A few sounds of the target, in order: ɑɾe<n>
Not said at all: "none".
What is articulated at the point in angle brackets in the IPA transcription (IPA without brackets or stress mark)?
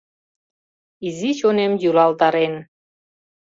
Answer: n